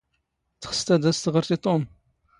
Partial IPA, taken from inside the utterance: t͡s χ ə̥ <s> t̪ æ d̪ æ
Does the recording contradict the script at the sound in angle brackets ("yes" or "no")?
no